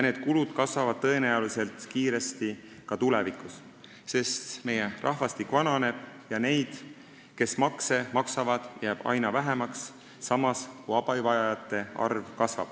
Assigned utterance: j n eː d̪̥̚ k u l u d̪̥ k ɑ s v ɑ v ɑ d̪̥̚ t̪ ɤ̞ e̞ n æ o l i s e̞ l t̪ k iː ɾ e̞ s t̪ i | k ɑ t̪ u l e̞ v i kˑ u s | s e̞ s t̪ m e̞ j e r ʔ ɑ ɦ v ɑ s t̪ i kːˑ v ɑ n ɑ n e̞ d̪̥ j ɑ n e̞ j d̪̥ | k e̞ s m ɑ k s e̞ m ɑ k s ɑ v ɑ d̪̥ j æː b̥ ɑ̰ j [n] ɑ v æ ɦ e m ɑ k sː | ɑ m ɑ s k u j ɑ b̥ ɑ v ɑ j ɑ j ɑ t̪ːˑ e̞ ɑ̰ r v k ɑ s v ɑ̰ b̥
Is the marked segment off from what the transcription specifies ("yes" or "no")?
no